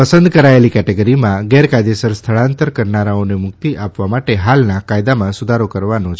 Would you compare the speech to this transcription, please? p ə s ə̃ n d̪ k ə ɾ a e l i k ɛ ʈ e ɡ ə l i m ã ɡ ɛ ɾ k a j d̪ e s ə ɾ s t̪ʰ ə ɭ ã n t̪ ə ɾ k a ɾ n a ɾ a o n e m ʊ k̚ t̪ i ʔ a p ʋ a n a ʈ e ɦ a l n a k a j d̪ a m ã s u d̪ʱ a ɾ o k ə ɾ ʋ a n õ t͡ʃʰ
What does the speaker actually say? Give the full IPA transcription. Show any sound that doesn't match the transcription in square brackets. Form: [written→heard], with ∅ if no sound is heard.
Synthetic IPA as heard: p ə s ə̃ n d̪ k ə ɾ a e l i k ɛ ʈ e ɡ ə [l→ɾ] i m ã ɡ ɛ ɾ k a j d̪ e s ə ɾ s t̪ʰ ə ɭ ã n t̪ ə ɾ k [a→ə] ɾ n a ɾ a o n e m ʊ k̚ t̪ i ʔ a p ʋ a [n→m] a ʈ e ɦ a l n a k a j d̪ a m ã s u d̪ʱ a ɾ o k ə ɾ ʋ a n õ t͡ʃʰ